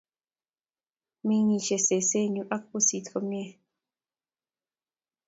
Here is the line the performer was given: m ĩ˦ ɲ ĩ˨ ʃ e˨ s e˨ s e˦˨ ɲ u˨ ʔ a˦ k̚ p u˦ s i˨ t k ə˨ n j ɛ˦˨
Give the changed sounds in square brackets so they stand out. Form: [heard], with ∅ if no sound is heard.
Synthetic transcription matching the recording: m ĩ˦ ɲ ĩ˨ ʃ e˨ s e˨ s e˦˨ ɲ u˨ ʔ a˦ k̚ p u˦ s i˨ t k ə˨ [m] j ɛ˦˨